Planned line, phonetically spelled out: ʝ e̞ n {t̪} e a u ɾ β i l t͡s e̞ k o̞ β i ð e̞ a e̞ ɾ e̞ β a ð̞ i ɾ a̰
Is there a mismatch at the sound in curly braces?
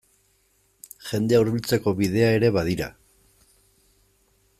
yes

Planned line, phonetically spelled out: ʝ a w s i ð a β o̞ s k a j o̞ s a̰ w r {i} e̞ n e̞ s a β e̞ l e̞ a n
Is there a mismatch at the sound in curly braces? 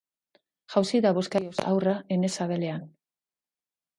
yes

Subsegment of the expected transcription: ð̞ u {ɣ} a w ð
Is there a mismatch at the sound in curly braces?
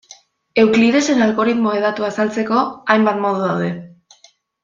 yes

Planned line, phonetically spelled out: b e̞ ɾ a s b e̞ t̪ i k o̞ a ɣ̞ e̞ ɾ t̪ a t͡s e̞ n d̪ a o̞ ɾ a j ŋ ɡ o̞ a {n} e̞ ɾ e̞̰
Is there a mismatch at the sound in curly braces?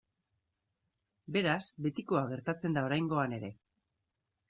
no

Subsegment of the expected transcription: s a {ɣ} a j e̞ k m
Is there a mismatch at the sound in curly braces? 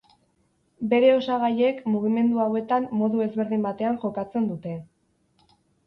no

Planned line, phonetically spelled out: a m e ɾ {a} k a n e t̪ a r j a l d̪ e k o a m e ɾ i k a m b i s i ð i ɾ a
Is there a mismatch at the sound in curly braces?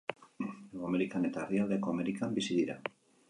yes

